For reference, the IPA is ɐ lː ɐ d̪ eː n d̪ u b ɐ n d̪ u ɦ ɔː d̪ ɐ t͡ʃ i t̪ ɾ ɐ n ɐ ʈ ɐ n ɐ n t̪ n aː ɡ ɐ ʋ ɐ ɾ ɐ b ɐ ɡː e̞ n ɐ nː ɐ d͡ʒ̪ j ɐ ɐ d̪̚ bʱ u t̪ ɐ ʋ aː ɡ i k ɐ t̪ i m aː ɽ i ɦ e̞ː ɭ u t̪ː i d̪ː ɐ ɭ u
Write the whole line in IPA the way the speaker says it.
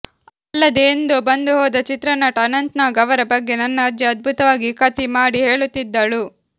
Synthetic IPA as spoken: ɐ lː ɐ d̪ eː n d̪ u b ɐ n d̪ u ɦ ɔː d̪ ɐ t͡ʃ i t̪ ɾ ɐ n ɐ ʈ ɐ n ɐ n t̪ n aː ɡ ɐ ʋ ɐ ɾ ɐ b ɐ ɡː e̞ n ɐ nː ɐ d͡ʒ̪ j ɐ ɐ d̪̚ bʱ u t̪ ɐ ʋ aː ɡ i k ɐ t̪ i m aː ɽ i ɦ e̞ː ɭ u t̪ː i d̪ː ɐ ɭ u